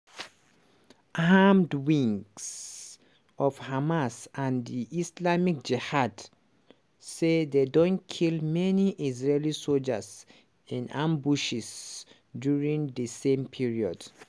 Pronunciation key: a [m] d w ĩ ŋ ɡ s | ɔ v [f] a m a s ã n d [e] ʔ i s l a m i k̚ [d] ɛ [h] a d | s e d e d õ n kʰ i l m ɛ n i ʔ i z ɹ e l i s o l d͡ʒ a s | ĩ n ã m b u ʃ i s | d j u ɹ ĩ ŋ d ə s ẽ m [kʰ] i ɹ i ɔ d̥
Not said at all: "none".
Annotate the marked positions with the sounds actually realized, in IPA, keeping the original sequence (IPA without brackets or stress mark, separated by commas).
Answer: m, h, i, d͡ʒ, h, pʰ